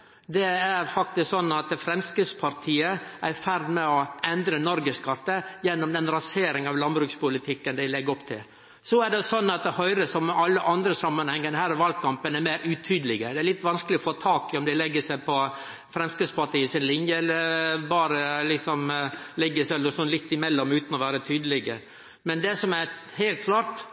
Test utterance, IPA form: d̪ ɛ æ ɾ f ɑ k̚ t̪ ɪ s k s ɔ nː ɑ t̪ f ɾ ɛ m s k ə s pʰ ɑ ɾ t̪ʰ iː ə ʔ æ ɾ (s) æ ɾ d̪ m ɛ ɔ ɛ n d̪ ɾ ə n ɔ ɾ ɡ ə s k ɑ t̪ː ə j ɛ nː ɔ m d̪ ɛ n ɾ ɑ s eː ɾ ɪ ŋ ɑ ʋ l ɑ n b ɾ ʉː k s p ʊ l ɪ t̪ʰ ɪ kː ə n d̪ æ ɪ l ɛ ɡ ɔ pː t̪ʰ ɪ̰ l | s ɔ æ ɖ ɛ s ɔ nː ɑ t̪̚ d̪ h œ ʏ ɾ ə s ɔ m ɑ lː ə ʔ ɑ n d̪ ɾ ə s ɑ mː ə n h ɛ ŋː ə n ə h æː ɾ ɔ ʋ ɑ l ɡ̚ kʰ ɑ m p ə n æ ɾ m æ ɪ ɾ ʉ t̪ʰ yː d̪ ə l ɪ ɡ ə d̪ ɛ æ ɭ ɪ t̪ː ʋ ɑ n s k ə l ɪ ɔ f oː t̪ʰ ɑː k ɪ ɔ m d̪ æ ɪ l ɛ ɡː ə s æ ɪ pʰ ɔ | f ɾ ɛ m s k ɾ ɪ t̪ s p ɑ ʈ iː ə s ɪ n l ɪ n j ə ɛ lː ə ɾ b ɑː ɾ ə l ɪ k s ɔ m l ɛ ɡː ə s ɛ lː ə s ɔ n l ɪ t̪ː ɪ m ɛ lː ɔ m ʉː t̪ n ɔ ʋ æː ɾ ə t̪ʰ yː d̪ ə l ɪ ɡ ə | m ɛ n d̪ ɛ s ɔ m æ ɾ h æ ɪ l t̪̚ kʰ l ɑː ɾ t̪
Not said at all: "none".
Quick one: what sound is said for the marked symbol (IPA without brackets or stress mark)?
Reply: f